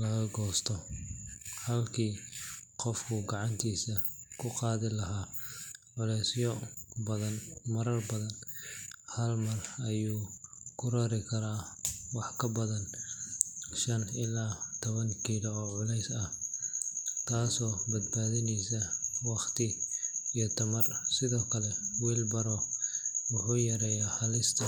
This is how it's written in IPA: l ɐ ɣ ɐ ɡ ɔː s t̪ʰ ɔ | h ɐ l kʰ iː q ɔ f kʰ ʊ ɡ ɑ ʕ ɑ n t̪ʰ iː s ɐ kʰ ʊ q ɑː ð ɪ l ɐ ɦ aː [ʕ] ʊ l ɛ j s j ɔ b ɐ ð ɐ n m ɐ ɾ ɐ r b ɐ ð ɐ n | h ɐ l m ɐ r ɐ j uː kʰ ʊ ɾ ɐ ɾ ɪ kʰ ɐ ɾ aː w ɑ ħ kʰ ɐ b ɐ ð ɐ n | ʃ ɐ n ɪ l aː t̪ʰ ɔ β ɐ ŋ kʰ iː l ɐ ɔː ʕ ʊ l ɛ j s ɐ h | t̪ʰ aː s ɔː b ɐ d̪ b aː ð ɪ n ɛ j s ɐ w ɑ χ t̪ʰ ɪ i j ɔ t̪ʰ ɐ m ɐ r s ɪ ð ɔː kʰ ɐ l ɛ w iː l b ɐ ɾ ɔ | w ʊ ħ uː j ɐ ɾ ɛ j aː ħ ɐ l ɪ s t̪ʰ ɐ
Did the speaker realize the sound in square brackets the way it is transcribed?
yes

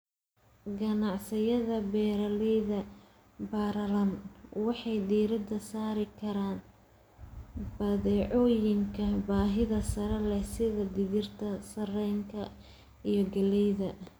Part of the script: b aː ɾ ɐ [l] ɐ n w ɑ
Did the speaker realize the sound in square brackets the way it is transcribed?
yes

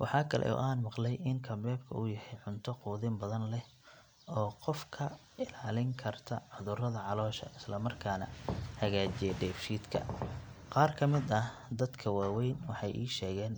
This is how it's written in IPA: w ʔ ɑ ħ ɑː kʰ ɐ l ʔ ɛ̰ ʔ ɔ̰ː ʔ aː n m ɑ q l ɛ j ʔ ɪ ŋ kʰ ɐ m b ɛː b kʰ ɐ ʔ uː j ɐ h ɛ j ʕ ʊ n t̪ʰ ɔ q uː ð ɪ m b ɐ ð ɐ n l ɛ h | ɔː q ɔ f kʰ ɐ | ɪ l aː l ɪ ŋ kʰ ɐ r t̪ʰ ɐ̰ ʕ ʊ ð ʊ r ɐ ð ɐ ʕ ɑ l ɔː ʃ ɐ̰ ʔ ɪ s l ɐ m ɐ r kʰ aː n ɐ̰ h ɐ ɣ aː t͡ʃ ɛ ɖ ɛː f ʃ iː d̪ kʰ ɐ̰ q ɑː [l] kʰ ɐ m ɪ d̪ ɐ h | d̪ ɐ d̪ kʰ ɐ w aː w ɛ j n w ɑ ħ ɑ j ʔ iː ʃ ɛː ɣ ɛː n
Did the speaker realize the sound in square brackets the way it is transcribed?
no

